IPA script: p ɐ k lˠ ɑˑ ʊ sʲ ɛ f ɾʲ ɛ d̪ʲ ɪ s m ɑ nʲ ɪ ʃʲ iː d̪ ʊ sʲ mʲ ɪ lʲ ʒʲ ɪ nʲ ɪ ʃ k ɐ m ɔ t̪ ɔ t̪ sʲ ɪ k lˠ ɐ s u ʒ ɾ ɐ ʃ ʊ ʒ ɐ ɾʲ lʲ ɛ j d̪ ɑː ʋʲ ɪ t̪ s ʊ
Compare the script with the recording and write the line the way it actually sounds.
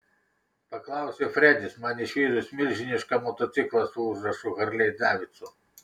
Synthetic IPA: p ɐ k lˠ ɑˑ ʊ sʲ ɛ f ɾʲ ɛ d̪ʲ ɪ s m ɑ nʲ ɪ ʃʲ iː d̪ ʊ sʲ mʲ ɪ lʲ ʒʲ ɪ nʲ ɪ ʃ k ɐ m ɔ t̪ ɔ t̪ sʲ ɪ k lˠ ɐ s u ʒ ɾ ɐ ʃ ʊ ɣ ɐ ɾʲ lʲ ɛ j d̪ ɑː ʋʲ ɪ t̪ s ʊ

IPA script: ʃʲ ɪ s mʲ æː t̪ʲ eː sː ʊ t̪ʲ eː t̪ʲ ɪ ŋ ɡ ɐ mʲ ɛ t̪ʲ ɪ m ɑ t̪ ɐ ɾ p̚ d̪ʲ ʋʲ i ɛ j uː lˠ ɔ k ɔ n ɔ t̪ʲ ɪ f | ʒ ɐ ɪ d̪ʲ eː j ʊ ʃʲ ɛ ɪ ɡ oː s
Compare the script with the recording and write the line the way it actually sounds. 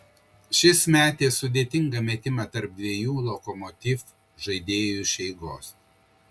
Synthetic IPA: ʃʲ ɪ s mʲ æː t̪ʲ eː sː ʊ d̪ʲ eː t̪ʲ ɪ ŋ ɡ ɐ mʲ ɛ t̪ʲ ɪ m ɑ t̪ ɐ ɾ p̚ d̪ʲ ʋʲ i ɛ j uː lˠ ɔ k ɔ m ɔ t̪ʲ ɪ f | ʒ ɐ ɪ d̪ʲ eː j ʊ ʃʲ ɛ ɪ ɡ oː s

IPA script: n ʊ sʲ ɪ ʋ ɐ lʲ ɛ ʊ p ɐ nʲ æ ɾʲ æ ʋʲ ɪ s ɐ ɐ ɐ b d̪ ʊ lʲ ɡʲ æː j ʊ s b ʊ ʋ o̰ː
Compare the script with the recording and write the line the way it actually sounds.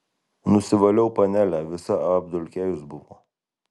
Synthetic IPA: n ʊ sʲ ɪ ʋ ɐ lʲ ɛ ʊ p ɐ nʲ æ lʲ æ ʋʲ ɪ s ɐ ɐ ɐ b d̪ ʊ lʲ kʲ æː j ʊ s b ʊ ʋ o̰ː

